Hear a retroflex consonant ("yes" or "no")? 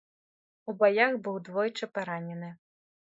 yes